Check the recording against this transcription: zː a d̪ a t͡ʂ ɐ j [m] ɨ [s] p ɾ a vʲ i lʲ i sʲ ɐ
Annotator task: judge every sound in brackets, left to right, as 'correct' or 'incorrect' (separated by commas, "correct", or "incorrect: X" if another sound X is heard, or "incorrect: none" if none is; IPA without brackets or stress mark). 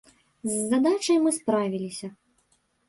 correct, correct